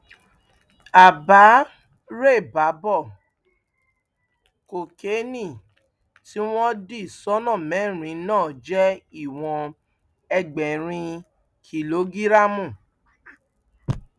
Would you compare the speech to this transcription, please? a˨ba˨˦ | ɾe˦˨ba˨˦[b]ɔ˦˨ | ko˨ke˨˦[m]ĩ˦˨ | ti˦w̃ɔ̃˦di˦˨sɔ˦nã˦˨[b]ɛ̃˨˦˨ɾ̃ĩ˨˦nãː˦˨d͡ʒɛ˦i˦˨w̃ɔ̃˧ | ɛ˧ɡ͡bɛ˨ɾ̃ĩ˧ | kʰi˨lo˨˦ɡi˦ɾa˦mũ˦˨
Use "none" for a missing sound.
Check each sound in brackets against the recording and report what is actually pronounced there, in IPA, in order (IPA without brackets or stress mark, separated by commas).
b, n, m